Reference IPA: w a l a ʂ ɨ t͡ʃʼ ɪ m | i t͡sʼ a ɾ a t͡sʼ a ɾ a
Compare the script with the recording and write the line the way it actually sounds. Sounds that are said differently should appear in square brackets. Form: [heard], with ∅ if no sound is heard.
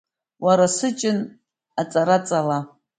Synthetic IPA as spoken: w a [ɾ] a [s] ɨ t͡ʃʼ ɪ [n] | [a] t͡sʼ a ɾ a t͡sʼ a [l] a